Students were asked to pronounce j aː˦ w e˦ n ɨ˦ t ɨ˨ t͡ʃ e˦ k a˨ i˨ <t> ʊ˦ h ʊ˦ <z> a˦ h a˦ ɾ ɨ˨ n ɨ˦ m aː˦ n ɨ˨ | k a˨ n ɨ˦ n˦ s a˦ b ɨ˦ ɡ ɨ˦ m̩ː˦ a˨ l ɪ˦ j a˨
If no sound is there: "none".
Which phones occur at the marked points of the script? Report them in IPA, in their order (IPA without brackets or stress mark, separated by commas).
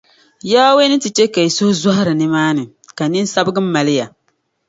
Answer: s, z